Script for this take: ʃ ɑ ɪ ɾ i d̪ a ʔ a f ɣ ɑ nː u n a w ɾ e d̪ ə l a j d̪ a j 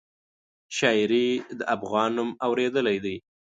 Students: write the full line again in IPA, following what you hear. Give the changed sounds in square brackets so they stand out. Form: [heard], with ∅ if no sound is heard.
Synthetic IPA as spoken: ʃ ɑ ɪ ɾ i d̪ [ə] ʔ a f ɣ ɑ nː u [m] a w ɾ e d̪ ə l a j d̪ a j